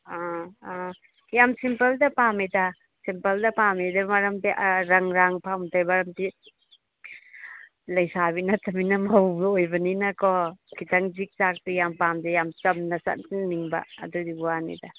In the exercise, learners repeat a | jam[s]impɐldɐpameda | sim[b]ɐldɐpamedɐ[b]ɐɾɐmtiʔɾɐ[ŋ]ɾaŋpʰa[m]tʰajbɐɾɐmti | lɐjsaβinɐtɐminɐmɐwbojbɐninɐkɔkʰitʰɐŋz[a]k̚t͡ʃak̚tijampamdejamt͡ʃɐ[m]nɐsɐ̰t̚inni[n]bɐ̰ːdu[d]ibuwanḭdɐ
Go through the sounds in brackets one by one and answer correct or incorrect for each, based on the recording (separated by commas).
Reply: correct, incorrect, incorrect, correct, correct, incorrect, correct, incorrect, correct